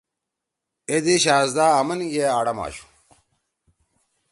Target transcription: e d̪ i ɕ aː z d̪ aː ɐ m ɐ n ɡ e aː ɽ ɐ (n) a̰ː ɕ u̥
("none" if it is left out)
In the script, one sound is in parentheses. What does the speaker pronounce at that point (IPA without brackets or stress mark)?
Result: m